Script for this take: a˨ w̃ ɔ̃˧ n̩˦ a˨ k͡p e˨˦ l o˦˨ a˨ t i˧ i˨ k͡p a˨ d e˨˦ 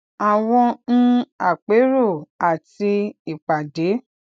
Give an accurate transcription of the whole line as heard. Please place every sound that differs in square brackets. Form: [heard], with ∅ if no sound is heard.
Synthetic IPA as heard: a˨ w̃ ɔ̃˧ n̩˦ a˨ k͡p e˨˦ [ɾ] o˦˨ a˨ t i˧ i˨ k͡p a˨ d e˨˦